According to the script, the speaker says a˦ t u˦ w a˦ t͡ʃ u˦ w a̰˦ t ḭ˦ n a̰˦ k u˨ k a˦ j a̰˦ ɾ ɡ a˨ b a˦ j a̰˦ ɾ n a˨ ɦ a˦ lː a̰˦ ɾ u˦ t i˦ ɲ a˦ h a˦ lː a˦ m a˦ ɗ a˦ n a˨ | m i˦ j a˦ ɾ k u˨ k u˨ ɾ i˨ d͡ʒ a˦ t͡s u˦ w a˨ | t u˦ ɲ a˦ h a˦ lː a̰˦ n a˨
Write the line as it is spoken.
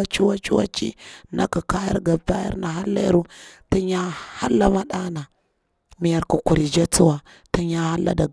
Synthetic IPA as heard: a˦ t͡ʃ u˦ w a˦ t͡ʃ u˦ w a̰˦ t͡ʃ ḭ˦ n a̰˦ k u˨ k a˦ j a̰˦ ɾ ɡ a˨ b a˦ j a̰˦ ɾ n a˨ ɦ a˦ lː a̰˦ ɾ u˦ t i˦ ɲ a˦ h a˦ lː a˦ m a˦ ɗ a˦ n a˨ | m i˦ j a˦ ɾ k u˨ k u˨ ɾ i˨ d͡ʒ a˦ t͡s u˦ w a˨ | t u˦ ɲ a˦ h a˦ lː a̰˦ d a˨